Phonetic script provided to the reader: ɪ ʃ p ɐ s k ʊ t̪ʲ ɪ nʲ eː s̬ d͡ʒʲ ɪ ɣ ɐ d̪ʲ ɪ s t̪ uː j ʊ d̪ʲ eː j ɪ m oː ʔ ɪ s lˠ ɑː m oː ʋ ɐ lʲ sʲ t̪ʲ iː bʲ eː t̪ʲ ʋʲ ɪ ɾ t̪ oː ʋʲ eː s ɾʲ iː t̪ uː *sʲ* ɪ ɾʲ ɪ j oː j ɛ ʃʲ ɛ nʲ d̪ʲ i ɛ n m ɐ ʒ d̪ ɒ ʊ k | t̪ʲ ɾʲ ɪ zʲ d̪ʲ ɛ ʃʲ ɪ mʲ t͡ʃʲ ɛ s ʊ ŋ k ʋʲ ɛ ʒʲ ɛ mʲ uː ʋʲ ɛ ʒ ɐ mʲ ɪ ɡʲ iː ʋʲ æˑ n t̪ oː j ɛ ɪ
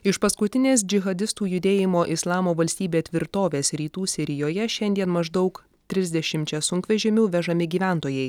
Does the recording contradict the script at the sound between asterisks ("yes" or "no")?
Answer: no